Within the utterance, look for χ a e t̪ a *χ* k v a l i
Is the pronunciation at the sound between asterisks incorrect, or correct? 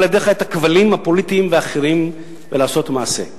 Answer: incorrect